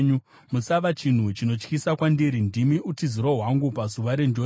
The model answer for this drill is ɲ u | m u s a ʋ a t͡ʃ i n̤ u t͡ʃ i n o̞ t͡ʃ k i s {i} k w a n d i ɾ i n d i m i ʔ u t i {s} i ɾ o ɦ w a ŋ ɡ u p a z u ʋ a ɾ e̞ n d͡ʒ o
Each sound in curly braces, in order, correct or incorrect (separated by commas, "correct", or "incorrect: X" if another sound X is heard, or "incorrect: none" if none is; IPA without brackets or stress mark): incorrect: a, incorrect: z